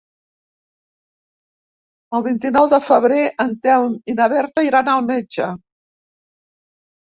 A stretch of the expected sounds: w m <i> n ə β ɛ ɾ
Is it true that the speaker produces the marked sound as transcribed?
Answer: yes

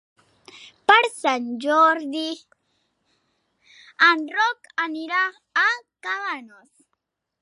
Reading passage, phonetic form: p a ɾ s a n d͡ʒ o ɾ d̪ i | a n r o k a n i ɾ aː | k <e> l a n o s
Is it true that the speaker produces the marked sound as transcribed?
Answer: no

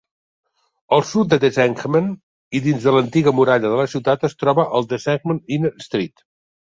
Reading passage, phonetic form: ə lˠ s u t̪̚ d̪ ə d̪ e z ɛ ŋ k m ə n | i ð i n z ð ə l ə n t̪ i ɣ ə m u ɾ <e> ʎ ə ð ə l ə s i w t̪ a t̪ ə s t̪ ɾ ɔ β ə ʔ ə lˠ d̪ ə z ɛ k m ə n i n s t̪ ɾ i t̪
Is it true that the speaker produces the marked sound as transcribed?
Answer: no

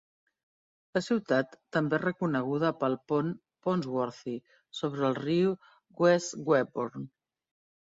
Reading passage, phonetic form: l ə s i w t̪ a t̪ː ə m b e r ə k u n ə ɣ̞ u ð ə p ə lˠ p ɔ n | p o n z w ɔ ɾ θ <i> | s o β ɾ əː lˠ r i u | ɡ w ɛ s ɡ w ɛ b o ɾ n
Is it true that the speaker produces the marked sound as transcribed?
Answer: yes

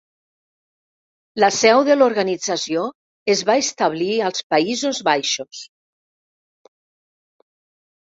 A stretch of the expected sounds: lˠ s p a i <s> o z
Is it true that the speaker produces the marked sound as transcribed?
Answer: no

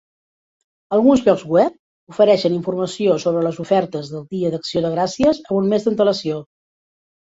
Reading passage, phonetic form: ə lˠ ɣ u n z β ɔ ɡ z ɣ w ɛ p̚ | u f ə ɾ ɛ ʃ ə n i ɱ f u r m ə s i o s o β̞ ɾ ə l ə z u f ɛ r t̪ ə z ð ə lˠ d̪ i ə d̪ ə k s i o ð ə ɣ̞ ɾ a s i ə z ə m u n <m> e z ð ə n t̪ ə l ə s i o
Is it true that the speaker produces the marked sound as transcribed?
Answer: yes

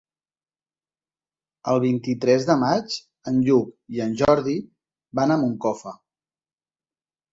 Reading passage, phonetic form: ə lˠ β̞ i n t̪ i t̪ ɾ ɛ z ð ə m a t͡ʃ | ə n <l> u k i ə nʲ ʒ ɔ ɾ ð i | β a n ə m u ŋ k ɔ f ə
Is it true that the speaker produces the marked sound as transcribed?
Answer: no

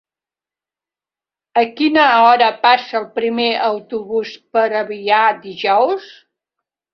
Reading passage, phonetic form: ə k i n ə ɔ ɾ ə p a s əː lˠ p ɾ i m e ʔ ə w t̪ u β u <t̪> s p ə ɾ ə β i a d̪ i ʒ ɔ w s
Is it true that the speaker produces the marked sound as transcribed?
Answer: no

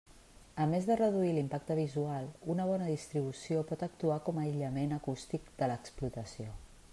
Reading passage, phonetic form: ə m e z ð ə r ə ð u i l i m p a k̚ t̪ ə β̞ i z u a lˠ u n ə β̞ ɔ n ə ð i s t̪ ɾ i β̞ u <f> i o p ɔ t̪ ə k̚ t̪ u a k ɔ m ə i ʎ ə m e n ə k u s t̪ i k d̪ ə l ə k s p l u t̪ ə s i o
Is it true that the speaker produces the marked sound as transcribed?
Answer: no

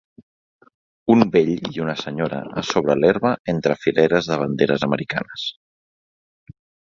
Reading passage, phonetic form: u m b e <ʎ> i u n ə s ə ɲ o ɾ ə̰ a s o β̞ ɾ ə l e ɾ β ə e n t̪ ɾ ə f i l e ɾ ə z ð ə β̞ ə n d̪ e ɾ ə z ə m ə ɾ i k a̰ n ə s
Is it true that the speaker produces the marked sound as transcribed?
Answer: yes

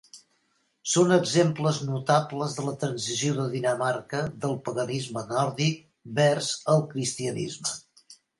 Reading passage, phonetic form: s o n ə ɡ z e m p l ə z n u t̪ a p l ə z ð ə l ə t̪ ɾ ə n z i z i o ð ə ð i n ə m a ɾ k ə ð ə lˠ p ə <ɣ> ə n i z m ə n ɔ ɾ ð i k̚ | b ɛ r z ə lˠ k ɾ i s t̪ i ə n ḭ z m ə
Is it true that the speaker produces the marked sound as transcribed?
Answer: yes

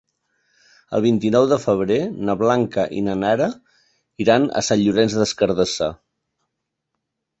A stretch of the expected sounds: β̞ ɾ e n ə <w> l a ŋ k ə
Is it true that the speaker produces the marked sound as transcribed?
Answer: no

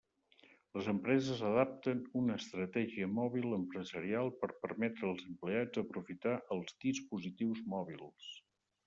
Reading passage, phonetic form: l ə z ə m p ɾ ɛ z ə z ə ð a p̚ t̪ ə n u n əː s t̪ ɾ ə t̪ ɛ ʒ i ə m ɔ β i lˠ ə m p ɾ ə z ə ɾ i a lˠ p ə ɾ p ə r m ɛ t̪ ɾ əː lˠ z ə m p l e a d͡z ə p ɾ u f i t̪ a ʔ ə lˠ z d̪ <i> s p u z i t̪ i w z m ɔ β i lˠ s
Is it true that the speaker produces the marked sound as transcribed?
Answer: yes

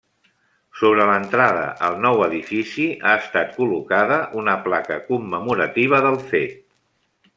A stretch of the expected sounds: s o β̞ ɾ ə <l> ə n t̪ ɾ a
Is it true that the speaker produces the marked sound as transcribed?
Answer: yes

